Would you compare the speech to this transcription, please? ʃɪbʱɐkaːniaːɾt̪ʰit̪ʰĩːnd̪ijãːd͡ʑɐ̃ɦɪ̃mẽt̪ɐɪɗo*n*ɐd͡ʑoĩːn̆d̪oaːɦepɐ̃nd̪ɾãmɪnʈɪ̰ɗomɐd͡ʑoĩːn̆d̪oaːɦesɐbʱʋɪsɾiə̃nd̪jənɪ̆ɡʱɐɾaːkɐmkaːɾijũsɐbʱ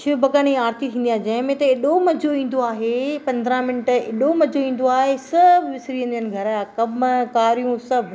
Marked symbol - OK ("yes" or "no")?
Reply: no